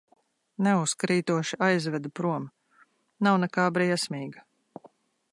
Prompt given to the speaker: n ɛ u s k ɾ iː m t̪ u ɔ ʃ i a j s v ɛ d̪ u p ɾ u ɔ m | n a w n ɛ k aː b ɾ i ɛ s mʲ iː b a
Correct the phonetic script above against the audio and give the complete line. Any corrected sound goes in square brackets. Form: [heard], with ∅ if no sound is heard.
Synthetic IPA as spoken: n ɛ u s k ɾ iː [∅] t̪ u ɔ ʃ i a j [z] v ɛ d̪ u p ɾ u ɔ m | n a w n ɛ k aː b ɾ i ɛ s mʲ iː [ɡ] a